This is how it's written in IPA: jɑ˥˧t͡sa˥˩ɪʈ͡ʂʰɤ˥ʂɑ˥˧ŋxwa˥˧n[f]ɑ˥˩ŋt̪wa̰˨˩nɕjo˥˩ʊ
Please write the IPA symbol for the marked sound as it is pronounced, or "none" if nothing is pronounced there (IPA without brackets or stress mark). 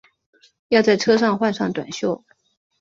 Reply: ʂ